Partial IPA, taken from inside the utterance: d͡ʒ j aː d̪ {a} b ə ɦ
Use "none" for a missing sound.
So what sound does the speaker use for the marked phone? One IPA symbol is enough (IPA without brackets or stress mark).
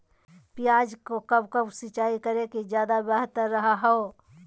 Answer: a